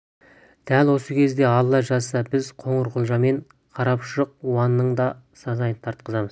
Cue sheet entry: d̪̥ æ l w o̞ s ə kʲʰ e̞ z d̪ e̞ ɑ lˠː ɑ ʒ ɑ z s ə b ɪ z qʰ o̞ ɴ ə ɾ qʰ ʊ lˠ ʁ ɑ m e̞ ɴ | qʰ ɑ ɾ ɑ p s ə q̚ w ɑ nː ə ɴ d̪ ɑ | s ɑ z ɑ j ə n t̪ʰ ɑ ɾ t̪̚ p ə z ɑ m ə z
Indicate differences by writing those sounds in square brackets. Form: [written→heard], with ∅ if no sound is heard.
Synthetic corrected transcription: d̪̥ æ l w o̞ s ə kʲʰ e̞ z d̪ e̞ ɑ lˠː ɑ ʒ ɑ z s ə b ɪ z qʰ o̞ ɴ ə ɾ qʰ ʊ lˠ [ʁ→ʒ] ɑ m e̞ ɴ | qʰ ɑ ɾ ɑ p [s→ʃ] ə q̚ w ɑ nː ə ɴ d̪ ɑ | s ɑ z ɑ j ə n t̪ʰ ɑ ɾ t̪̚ [p→q] ə z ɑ m ə z